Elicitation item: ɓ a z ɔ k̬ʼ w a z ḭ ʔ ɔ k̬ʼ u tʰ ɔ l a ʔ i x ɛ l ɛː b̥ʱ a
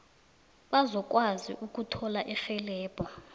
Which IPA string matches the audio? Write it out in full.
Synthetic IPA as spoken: ɓ a z ɔ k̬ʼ w a z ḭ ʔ u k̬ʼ u tʰ ɔ l a ʔ i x ɛ l ɛː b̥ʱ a